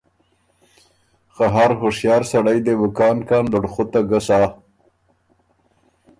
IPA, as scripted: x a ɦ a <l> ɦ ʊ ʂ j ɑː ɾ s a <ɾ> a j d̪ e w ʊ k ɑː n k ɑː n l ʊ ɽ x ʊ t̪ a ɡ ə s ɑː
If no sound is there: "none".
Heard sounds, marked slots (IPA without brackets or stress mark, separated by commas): ɾ, ɽ